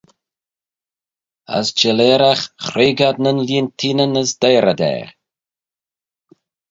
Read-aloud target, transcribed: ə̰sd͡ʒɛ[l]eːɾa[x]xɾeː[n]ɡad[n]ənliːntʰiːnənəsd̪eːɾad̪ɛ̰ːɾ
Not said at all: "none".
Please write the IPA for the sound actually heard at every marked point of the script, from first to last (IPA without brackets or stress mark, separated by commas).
l, x, none, n